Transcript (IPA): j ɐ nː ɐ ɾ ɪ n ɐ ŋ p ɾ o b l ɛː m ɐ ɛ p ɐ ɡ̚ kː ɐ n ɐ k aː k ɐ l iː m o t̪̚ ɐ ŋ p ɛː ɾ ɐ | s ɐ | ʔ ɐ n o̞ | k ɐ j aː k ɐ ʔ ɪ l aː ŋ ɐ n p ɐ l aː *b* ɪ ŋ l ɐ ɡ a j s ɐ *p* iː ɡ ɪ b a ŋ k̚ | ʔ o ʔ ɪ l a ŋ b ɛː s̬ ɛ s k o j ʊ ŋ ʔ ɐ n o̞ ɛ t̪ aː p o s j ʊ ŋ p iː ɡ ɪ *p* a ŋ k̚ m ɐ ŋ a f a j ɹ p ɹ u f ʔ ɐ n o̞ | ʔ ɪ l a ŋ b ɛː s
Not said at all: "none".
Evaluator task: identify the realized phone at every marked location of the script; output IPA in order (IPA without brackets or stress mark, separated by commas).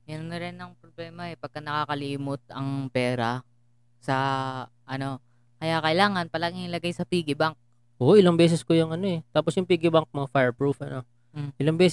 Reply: ɡ, p, b